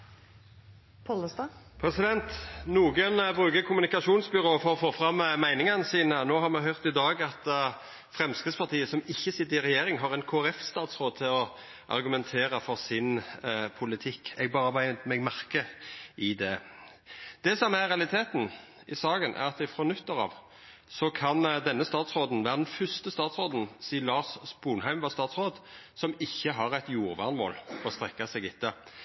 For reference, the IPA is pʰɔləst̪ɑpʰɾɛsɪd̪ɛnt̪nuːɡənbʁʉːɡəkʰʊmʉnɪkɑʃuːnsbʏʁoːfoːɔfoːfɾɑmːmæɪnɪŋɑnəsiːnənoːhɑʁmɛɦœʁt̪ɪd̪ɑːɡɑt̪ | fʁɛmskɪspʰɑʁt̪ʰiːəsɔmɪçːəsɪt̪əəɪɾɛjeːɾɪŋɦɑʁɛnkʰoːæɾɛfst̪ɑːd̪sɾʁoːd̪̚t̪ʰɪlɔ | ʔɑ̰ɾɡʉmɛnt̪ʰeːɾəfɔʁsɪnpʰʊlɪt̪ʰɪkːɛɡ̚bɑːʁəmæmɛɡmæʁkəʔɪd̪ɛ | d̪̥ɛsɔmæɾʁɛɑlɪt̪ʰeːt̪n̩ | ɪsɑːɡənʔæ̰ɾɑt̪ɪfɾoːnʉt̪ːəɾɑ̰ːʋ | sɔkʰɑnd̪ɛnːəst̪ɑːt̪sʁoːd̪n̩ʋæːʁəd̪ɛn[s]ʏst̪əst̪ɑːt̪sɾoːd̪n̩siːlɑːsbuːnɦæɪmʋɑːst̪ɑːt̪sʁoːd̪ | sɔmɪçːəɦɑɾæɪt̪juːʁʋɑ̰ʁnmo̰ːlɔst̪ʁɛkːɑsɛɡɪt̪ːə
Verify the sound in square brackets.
incorrect: f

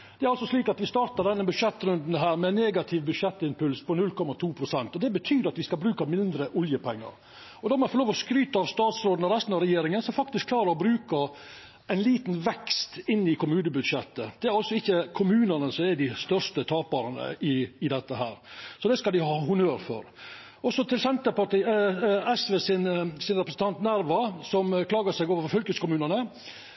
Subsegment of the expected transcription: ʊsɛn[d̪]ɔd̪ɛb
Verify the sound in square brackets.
incorrect: t̪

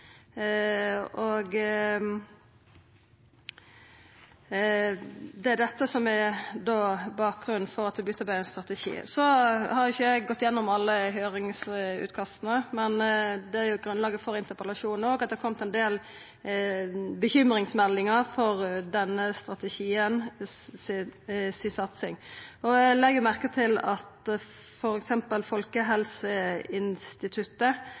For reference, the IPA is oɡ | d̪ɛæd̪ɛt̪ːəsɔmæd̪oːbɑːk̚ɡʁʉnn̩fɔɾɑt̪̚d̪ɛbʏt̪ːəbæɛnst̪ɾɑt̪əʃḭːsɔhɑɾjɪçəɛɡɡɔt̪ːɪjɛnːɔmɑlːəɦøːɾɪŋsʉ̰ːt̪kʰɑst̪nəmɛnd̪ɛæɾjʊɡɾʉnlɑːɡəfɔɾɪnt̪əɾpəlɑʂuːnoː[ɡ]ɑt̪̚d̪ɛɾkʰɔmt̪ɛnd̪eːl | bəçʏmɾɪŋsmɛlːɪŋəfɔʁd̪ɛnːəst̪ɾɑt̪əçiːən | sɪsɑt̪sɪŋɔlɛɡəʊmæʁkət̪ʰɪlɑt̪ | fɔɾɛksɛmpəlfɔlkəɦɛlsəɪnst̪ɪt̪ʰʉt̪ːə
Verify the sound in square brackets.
correct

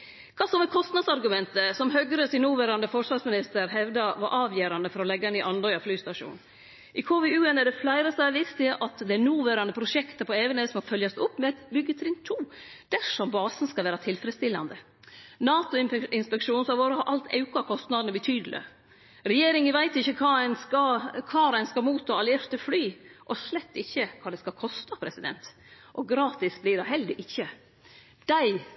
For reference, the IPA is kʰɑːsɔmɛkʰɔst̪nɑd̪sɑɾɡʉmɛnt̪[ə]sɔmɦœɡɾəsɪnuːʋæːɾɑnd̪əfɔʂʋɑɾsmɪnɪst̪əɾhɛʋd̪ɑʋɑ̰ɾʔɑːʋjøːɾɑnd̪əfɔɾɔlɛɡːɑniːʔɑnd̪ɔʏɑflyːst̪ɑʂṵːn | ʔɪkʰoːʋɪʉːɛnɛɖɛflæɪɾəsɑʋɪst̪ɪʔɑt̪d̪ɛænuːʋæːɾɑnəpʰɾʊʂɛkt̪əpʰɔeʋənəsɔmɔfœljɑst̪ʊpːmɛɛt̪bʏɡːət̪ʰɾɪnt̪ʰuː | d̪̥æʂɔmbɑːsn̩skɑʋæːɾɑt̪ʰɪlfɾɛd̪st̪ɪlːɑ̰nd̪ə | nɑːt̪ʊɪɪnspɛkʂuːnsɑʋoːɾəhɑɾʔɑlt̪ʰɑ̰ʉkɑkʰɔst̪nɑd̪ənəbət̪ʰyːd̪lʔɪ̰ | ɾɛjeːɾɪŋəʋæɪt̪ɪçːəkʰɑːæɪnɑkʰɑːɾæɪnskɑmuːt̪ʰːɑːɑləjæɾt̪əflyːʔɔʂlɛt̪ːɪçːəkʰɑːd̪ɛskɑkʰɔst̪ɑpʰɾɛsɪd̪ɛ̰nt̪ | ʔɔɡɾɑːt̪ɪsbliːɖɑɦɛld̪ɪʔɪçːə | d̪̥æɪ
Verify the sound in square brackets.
correct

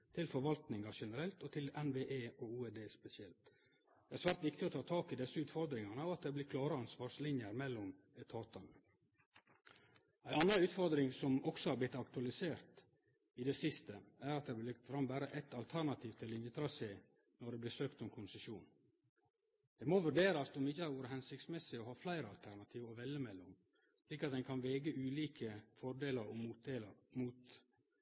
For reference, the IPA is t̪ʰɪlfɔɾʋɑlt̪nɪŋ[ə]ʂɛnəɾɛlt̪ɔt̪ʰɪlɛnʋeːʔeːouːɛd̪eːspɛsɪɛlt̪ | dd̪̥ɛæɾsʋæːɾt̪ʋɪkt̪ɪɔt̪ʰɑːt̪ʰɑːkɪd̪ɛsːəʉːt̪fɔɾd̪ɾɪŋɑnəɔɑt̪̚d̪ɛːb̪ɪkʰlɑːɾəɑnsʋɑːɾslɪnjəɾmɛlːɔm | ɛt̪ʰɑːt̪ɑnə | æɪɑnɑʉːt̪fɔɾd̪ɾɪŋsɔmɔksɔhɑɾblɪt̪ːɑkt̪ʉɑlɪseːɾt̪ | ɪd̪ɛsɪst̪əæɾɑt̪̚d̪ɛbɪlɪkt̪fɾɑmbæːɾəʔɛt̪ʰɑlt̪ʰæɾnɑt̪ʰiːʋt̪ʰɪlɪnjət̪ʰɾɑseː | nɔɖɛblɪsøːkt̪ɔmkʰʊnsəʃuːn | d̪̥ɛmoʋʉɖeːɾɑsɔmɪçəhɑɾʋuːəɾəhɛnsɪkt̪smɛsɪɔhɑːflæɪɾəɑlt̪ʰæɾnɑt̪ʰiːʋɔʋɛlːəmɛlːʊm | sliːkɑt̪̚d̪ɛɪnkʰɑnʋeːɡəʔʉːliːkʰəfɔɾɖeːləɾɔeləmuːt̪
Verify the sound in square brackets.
incorrect: ɑ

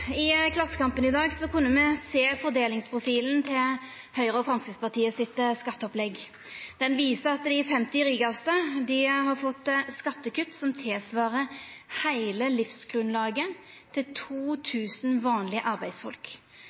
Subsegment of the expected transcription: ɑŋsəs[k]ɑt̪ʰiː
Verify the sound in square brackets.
incorrect: p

